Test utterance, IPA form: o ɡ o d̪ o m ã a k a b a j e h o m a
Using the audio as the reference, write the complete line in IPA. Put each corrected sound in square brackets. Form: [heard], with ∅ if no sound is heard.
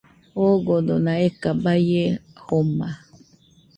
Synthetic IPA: o ɡ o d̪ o [n] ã [e] k a b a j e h o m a